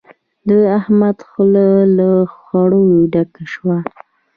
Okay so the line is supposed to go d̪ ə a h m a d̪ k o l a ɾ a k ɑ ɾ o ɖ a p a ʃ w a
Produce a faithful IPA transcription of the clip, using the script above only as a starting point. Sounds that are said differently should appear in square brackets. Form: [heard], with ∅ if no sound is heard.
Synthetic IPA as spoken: d̪ ə a h m a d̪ [x] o l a [l] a [x] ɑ [ɽ] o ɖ a [k] a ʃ w a